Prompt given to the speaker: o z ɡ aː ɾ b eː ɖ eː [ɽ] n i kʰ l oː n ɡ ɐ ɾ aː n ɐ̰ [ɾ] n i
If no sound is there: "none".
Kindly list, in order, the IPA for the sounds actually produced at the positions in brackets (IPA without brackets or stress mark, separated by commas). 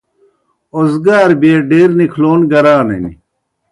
ɾ, none